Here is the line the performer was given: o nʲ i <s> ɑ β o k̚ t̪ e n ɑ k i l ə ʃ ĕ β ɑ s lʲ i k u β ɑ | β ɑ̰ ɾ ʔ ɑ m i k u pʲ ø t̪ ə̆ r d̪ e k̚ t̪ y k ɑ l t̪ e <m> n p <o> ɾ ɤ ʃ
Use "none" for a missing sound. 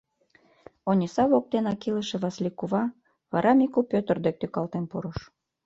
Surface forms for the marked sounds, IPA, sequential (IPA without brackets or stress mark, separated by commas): s, none, u